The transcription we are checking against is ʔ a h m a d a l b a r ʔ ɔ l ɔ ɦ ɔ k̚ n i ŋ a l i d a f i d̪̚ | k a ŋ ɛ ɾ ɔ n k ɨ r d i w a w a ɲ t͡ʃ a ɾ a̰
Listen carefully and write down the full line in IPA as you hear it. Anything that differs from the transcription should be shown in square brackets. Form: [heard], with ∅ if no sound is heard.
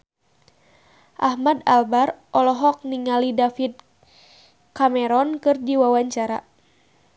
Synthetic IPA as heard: ʔ a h m a d a l b a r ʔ ɔ l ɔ ɦ ɔ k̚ n i ŋ a l i d a f i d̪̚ | k a [m] ɛ ɾ ɔ n k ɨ r d i w a w a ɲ t͡ʃ a ɾ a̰